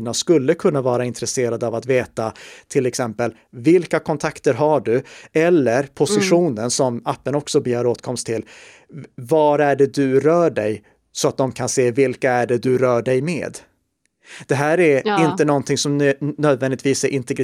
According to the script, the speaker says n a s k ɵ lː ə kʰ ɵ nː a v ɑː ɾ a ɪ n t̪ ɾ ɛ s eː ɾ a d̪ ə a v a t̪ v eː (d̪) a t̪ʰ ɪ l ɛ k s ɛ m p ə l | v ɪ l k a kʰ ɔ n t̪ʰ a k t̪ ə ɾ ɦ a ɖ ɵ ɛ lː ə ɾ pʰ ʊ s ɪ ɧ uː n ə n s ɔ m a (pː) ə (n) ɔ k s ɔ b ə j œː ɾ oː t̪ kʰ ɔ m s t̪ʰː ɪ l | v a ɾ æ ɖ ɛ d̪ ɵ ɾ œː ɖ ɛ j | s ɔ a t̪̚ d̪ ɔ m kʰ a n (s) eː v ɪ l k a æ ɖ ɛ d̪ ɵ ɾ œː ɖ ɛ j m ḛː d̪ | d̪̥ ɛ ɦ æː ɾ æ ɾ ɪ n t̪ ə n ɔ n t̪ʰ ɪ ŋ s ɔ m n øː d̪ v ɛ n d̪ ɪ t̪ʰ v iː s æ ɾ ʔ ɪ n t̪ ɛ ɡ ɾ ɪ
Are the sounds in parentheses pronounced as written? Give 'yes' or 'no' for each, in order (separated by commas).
no, yes, yes, yes